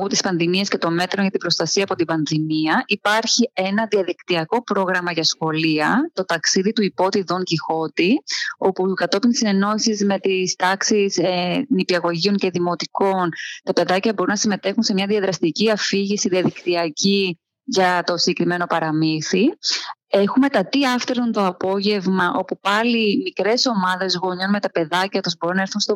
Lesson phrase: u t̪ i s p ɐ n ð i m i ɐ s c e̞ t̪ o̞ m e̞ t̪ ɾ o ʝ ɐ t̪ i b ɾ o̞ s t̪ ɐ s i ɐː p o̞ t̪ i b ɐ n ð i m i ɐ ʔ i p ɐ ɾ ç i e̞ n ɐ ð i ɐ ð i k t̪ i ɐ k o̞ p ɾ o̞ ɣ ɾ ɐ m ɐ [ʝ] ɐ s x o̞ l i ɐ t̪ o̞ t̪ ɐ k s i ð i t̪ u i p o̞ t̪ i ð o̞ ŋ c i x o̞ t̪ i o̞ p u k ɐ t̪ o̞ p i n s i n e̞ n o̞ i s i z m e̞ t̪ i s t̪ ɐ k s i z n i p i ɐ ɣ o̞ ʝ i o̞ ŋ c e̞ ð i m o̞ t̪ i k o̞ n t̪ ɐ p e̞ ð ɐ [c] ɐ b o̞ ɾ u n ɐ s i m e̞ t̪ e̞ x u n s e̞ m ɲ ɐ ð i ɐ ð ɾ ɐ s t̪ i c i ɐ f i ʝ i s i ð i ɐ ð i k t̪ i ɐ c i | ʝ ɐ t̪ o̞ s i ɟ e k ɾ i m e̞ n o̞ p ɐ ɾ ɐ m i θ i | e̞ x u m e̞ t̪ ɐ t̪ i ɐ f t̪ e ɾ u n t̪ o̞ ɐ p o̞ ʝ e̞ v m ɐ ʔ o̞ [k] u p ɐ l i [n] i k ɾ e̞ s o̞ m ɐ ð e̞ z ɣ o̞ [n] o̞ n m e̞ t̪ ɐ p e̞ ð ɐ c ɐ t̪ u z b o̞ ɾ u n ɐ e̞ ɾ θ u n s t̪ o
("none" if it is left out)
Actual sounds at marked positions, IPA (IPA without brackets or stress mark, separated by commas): ʝ, c, p, m, ɲ